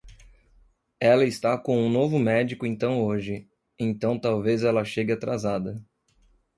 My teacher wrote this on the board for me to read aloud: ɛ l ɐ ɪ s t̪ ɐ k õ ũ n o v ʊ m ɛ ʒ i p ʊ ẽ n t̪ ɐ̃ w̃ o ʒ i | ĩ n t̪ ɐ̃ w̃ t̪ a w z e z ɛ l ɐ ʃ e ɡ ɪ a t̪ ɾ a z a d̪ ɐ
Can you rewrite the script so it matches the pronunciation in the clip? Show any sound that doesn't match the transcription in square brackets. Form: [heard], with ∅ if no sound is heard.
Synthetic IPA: ɛ l ɐ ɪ s t̪ [a] k õ ũ n o v ʊ m ɛ [d͡ʒ] i [k] ʊ ẽ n t̪ ɐ̃ w̃ o ʒ [ɪ] | [ẽ] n t̪ ɐ̃ w̃ t̪ a w [v] e z ɛ l ɐ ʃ e ɡ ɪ a t̪ ɾ a z a d̪ ɐ